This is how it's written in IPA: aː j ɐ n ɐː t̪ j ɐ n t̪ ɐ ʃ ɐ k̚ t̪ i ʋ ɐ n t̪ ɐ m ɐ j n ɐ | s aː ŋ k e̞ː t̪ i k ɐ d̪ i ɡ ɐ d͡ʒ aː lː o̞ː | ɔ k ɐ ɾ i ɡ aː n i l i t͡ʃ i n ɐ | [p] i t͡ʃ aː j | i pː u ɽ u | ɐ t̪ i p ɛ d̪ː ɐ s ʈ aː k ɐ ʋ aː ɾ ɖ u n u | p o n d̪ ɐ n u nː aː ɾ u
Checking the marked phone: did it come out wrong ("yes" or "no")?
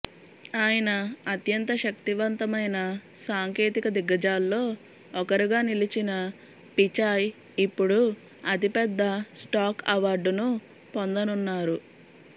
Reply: no